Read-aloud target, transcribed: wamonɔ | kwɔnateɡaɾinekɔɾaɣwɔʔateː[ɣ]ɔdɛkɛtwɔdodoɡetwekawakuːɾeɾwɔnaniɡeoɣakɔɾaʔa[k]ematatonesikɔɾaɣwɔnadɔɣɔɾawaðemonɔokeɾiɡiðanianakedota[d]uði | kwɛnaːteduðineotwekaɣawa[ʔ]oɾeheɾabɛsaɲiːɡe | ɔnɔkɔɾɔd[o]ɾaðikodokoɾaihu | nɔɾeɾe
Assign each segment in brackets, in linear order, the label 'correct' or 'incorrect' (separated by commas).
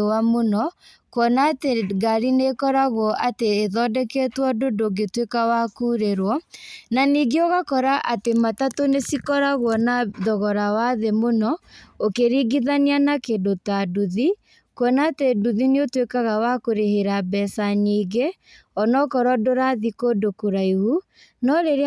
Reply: incorrect, incorrect, correct, incorrect, correct